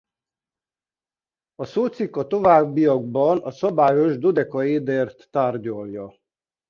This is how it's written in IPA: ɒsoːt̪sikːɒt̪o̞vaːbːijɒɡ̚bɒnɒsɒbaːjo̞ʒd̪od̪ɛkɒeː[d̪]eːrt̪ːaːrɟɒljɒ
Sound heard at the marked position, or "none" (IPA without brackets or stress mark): d̪